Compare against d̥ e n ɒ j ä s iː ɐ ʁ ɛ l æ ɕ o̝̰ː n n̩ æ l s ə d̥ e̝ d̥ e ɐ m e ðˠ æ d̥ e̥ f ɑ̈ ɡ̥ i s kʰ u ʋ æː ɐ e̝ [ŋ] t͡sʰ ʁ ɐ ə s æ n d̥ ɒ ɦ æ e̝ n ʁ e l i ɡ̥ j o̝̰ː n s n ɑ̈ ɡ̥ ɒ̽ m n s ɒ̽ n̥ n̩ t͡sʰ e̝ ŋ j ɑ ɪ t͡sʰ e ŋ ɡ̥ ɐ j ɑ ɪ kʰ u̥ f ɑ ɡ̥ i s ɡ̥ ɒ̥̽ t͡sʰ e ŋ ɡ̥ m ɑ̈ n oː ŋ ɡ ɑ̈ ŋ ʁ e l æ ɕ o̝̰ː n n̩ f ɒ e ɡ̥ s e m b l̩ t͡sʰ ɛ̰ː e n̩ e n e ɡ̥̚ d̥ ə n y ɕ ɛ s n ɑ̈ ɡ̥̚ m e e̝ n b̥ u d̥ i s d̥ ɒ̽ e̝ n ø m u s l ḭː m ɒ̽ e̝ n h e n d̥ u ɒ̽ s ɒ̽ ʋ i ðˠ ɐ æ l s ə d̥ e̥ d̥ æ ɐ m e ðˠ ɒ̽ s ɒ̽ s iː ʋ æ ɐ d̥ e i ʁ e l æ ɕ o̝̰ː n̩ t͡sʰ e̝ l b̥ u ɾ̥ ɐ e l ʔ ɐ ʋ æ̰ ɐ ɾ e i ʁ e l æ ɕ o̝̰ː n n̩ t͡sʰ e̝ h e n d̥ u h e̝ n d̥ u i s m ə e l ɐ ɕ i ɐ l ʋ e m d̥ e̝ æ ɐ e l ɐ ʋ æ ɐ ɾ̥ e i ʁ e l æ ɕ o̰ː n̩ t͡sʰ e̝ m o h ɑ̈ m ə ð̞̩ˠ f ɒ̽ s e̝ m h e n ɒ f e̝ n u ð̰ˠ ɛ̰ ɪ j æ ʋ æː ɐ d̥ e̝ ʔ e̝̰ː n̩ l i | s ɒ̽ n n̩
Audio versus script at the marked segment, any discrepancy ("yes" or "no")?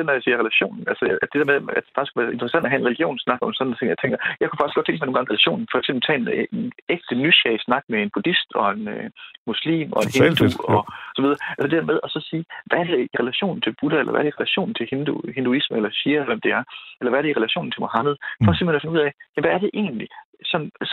yes